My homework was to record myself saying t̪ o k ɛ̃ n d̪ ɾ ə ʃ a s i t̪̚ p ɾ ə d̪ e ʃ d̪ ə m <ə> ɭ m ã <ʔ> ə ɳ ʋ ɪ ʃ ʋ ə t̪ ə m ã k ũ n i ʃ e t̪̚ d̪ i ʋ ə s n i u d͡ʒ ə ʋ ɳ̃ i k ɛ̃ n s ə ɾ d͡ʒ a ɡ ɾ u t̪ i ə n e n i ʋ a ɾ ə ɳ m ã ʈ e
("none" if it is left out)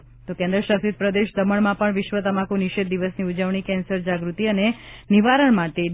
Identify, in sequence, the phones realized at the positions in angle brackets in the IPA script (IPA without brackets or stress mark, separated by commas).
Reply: ə, p